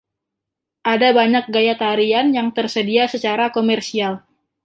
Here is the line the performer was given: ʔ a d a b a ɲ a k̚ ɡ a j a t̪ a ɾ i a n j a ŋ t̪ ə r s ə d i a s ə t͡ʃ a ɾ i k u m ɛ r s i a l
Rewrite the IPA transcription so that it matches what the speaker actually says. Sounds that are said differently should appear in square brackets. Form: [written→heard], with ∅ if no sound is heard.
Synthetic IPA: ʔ a d a b a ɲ a k̚ ɡ a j a t̪ a ɾ i a n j a ŋ t̪ ə r s ə d i a s ə t͡ʃ a ɾ [i→a] k [u→o] m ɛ r s i a l